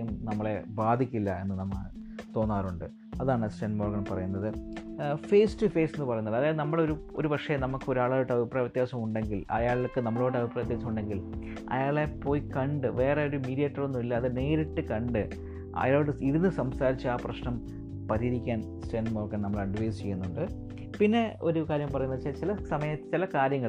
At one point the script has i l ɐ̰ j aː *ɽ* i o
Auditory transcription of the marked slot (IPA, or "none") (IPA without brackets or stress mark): ɭ